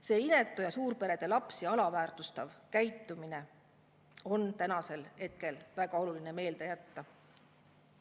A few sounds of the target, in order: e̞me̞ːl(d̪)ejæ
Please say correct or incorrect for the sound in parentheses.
correct